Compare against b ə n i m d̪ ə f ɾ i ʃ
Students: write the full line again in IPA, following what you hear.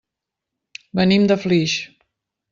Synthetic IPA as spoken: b ə n i m d̪ ə f l i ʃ